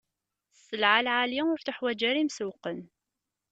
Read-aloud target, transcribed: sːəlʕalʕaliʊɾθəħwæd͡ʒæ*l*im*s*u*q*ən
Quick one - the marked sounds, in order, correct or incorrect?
incorrect: ɾ, correct, correct

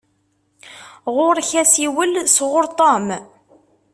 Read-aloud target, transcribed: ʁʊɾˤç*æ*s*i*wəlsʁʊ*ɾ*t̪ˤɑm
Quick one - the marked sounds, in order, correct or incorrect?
correct, correct, correct

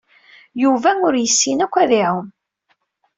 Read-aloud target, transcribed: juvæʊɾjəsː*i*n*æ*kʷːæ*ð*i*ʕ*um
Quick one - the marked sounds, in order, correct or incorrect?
correct, correct, correct, correct

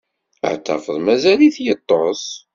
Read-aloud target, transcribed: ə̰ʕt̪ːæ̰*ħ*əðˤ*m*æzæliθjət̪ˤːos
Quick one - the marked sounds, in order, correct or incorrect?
incorrect: f, correct

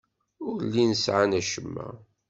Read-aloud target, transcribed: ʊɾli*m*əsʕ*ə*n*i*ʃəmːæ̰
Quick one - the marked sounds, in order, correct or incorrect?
incorrect: n, incorrect: a, incorrect: æ

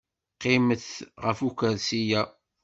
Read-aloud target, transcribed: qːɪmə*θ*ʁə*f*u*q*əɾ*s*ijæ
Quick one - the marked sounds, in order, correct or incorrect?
correct, correct, incorrect: k, correct

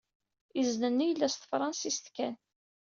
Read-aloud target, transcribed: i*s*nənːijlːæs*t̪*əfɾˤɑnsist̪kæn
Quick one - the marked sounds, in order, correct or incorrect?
incorrect: z, correct

